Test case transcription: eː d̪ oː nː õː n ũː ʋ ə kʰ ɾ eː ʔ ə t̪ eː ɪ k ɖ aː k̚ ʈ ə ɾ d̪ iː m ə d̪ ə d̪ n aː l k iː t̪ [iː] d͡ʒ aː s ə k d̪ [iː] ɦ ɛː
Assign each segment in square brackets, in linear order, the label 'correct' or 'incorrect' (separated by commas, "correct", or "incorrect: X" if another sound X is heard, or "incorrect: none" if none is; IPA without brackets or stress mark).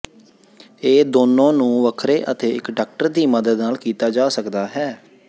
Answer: incorrect: aː, incorrect: aː